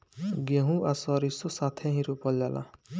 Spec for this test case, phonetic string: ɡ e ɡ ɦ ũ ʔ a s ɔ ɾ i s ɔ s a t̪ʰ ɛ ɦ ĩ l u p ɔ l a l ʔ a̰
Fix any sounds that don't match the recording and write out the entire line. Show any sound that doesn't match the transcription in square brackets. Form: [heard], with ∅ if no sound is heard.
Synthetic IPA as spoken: ɡ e [∅] ɦ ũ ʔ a s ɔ ɾ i s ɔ s a t̪ʰ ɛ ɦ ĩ [ɾ] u p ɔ l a l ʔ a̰

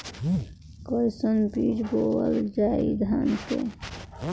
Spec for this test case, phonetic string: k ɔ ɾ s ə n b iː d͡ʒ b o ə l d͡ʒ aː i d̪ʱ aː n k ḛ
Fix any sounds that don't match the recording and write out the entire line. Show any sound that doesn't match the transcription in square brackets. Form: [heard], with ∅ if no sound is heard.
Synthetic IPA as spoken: k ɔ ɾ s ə n b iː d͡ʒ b o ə l d͡ʒ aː i d̪ʱ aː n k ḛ

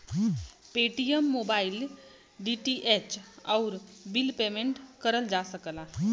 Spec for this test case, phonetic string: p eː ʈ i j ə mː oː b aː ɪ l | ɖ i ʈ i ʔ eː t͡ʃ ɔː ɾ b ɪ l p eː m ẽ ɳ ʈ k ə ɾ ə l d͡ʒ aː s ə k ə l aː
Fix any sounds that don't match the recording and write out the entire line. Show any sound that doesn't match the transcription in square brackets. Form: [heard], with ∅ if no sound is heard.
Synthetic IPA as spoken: p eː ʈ i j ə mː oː b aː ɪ l | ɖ i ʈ i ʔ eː t͡ʃ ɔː ɾ b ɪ l p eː m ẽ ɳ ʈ k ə ɾ ə l d͡ʒ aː s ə k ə l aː

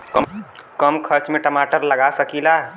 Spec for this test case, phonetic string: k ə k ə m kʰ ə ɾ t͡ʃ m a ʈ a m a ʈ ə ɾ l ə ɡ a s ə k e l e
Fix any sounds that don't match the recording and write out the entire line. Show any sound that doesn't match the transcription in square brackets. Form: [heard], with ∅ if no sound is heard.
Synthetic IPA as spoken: k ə k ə m kʰ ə ɾ t͡ʃ m [e] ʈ [ə] m a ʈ ə ɾ l ə ɡ a s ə k [i] l [a]

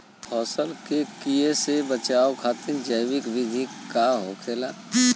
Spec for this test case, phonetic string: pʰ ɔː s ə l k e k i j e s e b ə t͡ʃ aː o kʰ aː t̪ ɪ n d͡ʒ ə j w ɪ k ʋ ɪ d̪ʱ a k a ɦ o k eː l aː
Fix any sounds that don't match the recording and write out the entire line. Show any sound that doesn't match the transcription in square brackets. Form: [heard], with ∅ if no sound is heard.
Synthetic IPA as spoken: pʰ ɔː s ə l k e k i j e s e b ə t͡ʃ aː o kʰ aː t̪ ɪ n d͡ʒ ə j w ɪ k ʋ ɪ d̪ʱ [i] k a ɦ o [kʰ] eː l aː

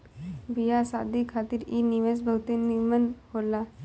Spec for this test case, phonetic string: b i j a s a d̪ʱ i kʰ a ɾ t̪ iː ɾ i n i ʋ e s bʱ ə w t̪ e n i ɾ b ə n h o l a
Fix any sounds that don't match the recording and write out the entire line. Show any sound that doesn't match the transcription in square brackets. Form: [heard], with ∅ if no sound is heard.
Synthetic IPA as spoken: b i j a s a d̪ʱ i kʰ a [∅] t̪ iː ɾ i n i ʋ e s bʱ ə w t̪ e n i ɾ [m] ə n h o l a

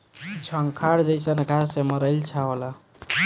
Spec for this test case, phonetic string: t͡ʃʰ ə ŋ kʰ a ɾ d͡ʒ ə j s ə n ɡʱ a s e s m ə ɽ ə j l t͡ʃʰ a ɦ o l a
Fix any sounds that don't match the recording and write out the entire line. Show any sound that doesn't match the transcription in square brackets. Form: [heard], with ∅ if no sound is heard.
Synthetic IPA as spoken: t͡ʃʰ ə ŋ kʰ a ɾ d͡ʒ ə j s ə n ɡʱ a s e [∅] m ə [ɾ] ə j l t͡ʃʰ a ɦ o l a

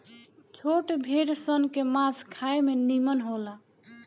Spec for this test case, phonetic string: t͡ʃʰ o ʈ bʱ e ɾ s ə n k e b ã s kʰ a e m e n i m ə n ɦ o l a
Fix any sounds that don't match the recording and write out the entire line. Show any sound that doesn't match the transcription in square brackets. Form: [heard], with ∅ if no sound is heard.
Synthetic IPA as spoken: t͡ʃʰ o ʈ bʱ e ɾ s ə n k e [m] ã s kʰ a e m e n i m ə n ɦ o l a

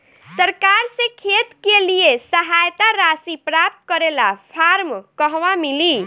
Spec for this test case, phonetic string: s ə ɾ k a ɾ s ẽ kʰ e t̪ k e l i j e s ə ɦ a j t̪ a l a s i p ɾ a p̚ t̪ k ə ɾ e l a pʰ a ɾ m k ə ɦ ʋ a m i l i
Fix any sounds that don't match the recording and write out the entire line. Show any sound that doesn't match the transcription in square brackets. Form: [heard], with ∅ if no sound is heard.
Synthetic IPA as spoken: s ə ɾ k a ɾ s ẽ kʰ e t̪ k e l i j e s ə ɦ a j t̪ a [ɾ] a s i p ɾ a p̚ t̪ k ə ɾ e l a pʰ a ɾ m k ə ɦ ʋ a m i l i

